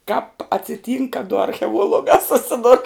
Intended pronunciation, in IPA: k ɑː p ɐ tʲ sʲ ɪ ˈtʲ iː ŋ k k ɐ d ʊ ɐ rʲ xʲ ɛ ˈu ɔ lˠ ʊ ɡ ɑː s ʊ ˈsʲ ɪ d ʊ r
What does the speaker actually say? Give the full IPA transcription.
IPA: k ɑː p ɐ tʲ sʲ ɪ ˈtʲ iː ŋ k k ɐ d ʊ ɐ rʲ xʲ ɛ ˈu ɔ lˠ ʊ ɡ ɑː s ʊ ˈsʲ ɪ d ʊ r